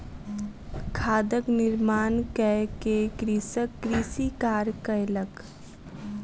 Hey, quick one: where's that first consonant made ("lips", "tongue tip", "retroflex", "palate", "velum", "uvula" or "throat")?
velum